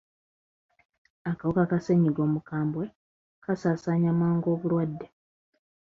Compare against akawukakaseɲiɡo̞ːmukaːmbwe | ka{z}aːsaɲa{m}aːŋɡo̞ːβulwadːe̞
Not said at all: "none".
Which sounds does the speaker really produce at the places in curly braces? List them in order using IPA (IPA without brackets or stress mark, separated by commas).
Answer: s, m